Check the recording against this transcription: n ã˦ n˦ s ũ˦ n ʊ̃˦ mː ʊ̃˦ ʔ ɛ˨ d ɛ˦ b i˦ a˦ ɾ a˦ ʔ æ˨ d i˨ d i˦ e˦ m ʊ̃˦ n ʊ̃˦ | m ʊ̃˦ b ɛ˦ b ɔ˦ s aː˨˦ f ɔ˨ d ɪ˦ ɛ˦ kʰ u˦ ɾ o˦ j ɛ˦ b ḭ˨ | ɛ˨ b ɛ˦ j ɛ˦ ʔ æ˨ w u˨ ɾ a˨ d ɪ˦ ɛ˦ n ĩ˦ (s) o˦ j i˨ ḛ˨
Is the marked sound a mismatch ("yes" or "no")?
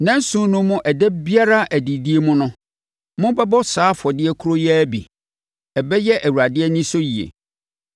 no